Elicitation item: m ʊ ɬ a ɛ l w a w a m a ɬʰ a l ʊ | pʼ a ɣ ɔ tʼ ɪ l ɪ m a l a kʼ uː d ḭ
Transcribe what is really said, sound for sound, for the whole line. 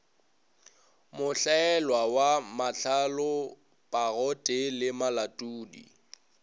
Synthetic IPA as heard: m ʊ ɬ a ɛ l w a w a m a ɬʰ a l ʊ | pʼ a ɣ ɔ tʼ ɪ l ɪ m a l a tʼ uː d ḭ